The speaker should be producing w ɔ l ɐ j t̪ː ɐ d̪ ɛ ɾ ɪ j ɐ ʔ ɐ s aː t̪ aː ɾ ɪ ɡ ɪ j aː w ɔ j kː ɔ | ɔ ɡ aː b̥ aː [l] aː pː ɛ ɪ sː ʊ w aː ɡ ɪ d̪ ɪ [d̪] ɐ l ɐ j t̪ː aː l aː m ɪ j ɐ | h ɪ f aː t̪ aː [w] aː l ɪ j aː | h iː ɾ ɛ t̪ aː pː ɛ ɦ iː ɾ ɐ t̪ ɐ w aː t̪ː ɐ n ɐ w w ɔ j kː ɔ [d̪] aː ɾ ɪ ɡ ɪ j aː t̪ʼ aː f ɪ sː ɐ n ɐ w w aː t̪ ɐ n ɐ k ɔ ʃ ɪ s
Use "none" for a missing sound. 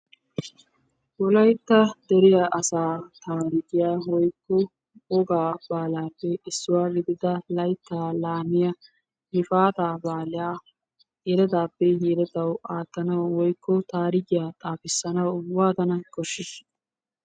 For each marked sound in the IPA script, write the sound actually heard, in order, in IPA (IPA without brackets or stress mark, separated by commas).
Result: l, d̪, b, t̪